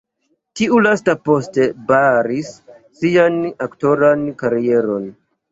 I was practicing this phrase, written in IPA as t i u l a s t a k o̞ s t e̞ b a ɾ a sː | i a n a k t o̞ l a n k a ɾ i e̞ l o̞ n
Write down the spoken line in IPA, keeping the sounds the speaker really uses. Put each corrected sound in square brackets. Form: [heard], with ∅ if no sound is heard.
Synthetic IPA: t i u l a s t a [p] o̞ s t e̞ b a ɾ [i] sː | i a n a k t o̞ [ɾ] a n k a ɾ i e̞ [ɾ] o̞ n